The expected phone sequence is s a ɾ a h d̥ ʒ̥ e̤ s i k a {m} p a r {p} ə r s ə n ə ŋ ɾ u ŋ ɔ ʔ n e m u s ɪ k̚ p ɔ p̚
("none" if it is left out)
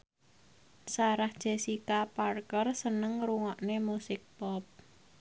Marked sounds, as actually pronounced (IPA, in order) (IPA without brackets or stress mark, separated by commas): none, k